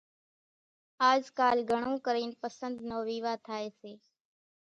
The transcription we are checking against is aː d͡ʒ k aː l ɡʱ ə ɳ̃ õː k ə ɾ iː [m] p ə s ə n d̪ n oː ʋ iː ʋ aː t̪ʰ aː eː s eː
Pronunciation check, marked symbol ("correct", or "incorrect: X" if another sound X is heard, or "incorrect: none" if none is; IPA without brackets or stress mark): incorrect: n